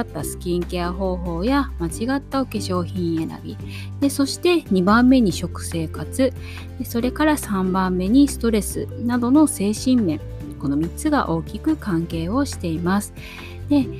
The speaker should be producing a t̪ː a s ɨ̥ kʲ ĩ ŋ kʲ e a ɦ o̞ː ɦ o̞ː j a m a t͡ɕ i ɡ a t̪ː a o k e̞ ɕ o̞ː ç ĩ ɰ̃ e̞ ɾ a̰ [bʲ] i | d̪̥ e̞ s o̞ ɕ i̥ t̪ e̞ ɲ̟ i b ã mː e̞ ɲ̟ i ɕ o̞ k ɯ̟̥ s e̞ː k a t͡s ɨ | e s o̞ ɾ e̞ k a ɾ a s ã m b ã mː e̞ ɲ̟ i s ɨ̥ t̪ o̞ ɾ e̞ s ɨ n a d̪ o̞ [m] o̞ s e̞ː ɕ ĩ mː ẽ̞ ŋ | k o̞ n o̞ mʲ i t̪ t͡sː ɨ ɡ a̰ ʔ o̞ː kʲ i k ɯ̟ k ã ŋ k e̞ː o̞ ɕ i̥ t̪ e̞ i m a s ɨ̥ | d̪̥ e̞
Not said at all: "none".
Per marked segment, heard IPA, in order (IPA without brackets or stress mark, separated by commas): bʲ, n